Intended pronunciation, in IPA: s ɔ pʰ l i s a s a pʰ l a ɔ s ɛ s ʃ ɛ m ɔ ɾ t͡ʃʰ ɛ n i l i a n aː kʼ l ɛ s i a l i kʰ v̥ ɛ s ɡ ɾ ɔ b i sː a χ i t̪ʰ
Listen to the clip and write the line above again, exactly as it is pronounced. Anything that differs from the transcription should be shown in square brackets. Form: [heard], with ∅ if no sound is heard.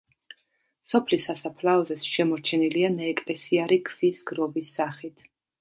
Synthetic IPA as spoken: s ɔ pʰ l i s a s a pʰ l a ɔ [z] ɛ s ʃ ɛ m ɔ ɾ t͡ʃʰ ɛ n i l i a n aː kʼ l ɛ s i a [ɾ] i kʰ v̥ [i] s ɡ ɾ ɔ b i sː a χ i t̪ʰ